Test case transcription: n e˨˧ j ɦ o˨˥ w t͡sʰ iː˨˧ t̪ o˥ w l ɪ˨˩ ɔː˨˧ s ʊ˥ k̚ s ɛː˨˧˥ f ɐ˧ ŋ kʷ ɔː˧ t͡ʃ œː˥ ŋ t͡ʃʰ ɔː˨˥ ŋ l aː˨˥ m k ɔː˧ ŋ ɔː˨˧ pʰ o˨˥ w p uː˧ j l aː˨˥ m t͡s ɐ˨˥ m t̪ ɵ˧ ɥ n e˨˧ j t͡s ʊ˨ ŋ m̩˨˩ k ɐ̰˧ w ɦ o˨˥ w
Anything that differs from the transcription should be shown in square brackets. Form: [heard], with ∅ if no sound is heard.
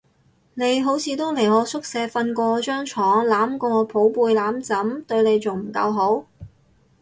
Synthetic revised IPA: n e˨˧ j ɦ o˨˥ w t͡sʰ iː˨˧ t̪ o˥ w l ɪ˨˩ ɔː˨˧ s ʊ˥ k̚ s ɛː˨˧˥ f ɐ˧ [n] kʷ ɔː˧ t͡ʃ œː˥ ŋ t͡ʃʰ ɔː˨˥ ŋ l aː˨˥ m k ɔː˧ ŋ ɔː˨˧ pʰ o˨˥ w p uː˧ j l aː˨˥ m t͡s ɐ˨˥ m t̪ ɵ˧ ɥ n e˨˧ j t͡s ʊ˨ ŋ m̩˨˩ k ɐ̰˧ w ɦ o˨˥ w